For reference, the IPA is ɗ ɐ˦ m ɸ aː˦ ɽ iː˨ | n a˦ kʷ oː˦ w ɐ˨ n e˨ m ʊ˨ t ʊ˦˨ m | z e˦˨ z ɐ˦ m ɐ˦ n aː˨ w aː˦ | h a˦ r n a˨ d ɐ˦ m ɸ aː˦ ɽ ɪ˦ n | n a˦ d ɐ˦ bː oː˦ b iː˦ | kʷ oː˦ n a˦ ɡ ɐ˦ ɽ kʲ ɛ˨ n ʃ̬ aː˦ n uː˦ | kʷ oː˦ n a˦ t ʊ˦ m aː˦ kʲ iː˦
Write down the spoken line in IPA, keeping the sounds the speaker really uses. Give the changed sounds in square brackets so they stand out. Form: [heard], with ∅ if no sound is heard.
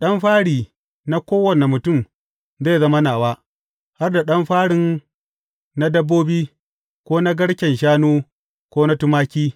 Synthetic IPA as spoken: ɗ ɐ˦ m ɸ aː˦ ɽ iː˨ | n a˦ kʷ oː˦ w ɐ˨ n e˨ m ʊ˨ t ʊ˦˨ m | z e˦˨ z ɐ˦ m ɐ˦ n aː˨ w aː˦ | h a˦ r [d] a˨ [ɗ] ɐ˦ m ɸ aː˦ ɽ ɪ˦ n | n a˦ d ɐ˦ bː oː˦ b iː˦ | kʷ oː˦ n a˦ ɡ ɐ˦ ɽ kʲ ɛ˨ n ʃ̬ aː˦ n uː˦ | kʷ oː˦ n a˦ t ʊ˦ m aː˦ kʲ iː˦

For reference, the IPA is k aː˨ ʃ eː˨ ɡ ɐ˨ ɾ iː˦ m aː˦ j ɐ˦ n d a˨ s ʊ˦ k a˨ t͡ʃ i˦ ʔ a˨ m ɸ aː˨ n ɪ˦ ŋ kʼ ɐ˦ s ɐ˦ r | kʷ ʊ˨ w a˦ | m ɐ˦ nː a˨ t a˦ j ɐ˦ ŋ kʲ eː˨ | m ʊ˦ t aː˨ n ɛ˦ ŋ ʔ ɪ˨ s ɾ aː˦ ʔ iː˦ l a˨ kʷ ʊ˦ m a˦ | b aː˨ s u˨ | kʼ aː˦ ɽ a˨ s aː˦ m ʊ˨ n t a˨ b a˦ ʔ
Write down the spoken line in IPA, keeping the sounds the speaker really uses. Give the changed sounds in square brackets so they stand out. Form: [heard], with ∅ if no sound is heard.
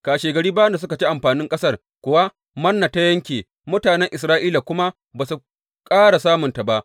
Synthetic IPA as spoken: k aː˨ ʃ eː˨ ɡ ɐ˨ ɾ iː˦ [b] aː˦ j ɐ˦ n d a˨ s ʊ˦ k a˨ t͡ʃ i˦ ʔ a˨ m ɸ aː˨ n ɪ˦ ŋ kʼ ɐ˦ s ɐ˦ r | kʷ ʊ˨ w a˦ | m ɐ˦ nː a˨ t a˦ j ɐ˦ ŋ kʲ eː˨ | m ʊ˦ t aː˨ n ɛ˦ ŋ ʔ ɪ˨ s ɾ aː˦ ʔ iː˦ l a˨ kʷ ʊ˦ m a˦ | b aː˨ s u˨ | kʼ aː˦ ɽ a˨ s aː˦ m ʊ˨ n t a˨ b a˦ ʔ

